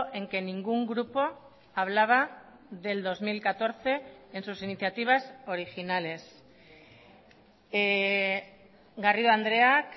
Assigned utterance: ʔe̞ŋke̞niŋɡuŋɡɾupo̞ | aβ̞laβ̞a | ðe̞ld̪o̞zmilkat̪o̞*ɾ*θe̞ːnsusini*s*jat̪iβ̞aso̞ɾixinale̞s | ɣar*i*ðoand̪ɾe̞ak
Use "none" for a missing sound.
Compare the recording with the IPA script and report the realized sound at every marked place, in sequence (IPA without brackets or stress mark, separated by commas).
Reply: ɾ, θ, i